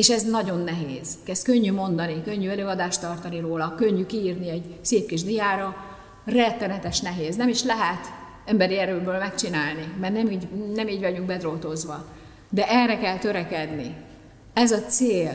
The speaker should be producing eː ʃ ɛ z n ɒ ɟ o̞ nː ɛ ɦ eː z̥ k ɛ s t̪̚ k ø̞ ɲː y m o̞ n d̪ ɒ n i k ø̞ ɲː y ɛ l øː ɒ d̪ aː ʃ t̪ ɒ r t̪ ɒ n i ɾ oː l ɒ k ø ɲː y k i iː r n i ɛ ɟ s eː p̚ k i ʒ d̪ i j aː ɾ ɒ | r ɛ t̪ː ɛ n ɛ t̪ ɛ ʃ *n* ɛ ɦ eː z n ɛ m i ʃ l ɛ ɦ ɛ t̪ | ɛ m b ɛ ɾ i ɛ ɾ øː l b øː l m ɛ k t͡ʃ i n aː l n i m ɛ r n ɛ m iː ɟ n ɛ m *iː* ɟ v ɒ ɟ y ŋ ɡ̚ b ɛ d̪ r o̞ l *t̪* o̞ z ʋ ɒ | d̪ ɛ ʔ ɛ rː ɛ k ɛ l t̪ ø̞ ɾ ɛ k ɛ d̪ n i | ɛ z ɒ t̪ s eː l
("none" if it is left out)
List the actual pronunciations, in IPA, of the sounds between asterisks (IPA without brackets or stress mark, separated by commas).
n, iː, t̪